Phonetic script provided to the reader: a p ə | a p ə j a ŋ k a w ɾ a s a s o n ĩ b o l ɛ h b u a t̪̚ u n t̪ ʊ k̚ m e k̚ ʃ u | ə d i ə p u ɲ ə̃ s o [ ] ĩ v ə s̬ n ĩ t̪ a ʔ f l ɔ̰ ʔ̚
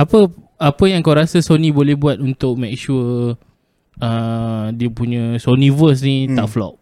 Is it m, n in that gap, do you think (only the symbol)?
n